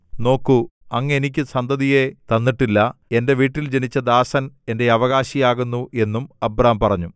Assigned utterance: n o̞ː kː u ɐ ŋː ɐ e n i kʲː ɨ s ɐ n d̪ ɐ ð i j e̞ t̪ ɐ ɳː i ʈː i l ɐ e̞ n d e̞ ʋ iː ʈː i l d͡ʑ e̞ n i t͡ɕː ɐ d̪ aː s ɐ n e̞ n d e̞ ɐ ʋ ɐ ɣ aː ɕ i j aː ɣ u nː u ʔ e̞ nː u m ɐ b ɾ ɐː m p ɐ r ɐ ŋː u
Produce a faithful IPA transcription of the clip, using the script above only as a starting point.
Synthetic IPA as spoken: n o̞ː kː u ɐ ŋː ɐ e n i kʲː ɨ s ɐ n d̪ ɐ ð i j e̞ t̪ ɐ nː i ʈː i lː ɐ e̞ n d e̞ ʋ iː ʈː i l d͡ʑ e̞ n i t͡ɕː ɐ d̪ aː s ɐ n e̞ n d e̞ ɐ ʋ ɐ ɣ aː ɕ i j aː ɣ u nː u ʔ e̞ nː u m ɐ b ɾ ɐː m p ɐ r ɐ ɲː u